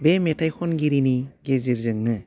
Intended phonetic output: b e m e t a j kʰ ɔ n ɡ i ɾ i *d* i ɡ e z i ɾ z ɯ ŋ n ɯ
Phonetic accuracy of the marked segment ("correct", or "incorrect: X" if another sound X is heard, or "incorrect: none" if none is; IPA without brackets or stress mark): incorrect: n